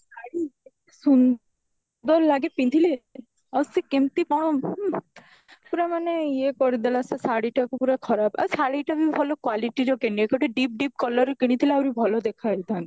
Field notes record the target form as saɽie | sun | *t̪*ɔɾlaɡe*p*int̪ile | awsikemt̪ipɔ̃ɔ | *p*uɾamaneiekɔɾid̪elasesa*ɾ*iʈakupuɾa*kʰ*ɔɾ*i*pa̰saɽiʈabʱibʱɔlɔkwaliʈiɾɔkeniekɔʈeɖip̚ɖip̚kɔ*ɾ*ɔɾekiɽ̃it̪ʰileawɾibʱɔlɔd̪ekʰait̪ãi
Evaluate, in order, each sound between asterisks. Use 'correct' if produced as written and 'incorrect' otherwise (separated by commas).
incorrect, correct, correct, incorrect, correct, incorrect, incorrect